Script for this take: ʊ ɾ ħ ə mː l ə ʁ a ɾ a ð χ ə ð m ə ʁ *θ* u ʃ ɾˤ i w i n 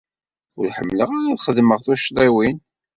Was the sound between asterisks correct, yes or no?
yes